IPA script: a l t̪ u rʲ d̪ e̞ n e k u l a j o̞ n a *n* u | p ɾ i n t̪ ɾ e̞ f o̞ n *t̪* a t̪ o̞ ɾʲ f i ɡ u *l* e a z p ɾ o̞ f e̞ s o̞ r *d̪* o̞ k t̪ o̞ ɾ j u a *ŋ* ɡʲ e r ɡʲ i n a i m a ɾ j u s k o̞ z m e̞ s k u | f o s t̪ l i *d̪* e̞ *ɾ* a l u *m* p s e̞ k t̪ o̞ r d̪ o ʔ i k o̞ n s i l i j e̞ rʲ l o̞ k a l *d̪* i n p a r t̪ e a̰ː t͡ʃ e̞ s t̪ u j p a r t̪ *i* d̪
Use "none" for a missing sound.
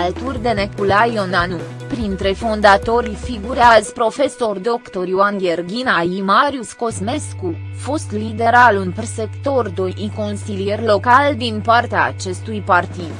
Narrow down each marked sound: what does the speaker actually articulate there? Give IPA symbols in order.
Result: n, d̪, ɾ, d̪, n, d̪, ɾ, n, d̪, i

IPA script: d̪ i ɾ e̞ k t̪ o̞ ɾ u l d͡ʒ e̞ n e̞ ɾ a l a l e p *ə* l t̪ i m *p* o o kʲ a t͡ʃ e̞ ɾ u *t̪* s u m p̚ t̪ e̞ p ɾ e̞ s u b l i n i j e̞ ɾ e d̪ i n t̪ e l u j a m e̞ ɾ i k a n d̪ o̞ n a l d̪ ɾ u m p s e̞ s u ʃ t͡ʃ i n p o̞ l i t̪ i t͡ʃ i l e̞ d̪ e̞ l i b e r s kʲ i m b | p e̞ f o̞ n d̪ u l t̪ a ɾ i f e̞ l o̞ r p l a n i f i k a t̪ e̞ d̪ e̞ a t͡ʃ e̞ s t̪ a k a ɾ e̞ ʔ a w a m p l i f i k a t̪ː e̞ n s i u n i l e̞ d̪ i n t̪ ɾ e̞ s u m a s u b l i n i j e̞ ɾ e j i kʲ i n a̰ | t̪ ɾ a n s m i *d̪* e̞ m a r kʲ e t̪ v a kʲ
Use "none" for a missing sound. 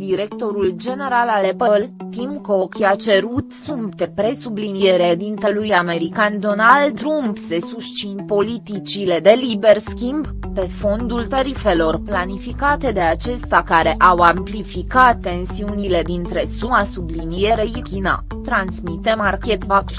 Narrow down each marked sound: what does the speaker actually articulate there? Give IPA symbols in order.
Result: ə, k, t̪, t̪

